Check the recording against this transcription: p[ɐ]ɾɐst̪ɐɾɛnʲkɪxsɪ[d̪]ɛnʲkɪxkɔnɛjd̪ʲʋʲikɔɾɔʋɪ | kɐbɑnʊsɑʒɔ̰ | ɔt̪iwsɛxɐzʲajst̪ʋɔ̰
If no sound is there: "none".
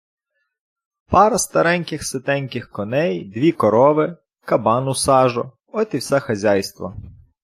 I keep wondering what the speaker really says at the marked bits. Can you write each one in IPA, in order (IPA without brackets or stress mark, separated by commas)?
ɑ, t̪